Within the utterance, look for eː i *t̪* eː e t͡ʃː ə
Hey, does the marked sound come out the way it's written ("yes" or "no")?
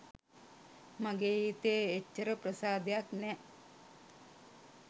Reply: yes